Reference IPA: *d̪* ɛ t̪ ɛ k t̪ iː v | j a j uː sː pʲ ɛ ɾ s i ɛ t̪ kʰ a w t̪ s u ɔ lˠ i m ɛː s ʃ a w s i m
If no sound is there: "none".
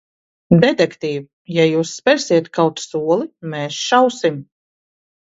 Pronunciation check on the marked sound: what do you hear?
d̪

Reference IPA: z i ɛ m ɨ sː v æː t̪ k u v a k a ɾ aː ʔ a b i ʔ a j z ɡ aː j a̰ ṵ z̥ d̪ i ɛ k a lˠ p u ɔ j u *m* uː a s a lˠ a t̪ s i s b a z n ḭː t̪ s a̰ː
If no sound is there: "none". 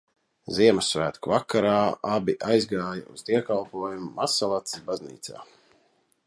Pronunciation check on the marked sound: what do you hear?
m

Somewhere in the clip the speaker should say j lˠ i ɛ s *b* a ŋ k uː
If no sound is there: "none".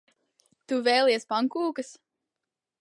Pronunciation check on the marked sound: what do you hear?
p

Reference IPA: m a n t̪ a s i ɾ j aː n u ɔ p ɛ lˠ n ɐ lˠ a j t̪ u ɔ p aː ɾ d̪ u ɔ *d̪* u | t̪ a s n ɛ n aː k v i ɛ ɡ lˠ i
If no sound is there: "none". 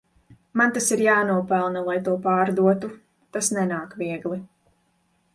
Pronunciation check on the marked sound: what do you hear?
t̪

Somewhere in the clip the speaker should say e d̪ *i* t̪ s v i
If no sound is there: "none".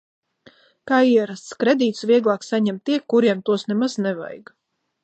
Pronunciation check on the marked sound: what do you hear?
iː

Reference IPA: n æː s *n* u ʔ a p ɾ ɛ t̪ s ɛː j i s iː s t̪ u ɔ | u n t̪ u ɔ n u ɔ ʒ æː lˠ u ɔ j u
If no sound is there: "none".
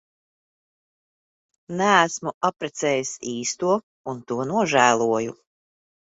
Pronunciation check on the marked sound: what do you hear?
m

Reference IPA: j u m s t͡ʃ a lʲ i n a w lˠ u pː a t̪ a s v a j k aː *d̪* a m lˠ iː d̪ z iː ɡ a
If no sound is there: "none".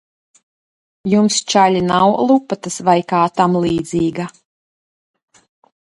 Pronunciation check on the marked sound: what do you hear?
t̪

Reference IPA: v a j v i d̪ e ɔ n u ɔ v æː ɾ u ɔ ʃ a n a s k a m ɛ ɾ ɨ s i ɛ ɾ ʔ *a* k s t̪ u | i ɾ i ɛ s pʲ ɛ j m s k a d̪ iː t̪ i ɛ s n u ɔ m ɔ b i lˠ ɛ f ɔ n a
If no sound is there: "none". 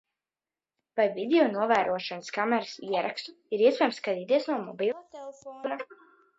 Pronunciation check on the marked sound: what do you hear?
a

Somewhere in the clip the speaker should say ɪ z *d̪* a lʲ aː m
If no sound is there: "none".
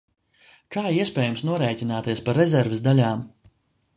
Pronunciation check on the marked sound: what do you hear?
d̪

